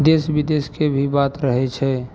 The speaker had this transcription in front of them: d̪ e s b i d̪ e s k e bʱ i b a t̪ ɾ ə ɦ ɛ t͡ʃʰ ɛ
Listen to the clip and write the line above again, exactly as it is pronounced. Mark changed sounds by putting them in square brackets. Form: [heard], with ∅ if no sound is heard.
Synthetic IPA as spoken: d̪ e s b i d̪ e s k e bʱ i b a t̪ ɾ ə ɦ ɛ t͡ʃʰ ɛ